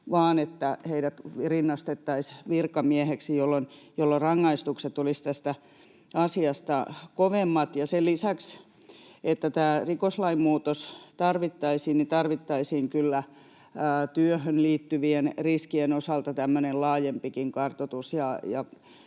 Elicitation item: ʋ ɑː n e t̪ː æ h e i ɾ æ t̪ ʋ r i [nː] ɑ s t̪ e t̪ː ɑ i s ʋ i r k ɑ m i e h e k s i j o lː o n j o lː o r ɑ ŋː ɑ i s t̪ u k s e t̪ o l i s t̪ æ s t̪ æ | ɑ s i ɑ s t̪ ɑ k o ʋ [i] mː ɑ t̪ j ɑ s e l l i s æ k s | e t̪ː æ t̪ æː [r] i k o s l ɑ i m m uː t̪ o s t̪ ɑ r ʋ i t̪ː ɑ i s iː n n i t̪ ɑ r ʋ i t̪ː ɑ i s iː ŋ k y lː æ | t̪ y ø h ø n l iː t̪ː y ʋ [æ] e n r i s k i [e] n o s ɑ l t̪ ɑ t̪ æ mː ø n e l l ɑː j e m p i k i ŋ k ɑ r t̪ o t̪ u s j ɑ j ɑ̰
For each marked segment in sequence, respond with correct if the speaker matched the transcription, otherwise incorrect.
correct, incorrect: e, correct, incorrect: i, correct

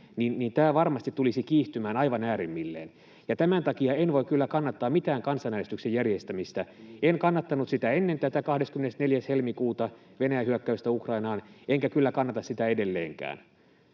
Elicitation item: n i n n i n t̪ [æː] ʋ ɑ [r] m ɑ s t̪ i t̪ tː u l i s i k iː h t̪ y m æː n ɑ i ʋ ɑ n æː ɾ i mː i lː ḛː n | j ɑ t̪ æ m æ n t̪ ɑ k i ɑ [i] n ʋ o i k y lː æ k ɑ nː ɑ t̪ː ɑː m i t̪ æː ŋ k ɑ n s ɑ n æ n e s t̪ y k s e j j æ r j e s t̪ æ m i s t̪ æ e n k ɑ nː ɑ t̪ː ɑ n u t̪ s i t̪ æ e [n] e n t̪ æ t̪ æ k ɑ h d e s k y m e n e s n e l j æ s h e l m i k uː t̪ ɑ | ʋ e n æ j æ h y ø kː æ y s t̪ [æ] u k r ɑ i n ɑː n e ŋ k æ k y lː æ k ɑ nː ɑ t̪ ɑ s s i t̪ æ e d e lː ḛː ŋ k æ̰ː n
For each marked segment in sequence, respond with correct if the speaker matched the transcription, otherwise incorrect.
correct, correct, incorrect: e, incorrect: nː, correct

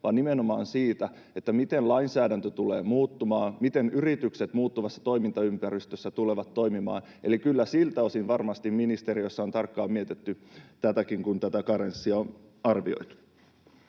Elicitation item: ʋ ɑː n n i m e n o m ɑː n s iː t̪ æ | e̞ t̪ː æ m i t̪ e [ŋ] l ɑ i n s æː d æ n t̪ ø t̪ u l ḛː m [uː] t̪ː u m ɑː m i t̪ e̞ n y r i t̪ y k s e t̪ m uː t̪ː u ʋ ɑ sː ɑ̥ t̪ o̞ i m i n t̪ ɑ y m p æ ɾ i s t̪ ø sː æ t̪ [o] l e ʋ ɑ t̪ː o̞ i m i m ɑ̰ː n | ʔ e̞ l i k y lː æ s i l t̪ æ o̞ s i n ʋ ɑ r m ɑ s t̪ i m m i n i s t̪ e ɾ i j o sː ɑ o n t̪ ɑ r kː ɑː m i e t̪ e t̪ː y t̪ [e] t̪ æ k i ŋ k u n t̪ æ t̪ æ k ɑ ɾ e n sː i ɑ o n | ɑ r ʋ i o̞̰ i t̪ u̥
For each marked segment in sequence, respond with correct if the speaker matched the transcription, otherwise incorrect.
incorrect: n, correct, incorrect: u, incorrect: æ

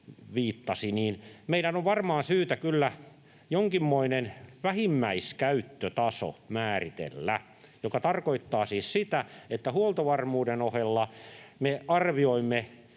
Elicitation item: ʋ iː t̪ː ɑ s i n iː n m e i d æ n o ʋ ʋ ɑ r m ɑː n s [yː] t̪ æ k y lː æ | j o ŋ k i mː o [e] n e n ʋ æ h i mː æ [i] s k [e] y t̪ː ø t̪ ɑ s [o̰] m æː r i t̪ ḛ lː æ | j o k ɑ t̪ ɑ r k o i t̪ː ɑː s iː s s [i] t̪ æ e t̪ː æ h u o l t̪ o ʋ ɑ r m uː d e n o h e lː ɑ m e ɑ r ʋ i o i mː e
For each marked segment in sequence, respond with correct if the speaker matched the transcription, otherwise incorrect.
correct, incorrect: i, correct, incorrect: æ, correct, correct

